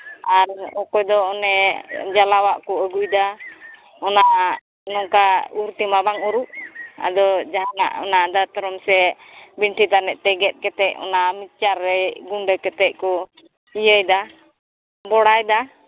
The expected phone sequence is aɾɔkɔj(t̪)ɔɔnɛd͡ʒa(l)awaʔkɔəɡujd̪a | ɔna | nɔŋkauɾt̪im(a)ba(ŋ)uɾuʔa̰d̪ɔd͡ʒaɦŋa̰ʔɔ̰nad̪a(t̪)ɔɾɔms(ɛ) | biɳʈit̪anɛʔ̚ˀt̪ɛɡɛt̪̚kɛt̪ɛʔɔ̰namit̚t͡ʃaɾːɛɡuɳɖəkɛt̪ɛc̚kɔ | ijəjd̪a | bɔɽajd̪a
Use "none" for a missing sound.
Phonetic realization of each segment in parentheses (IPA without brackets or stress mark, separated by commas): d̪, l, a, ŋ, t̪, ɛ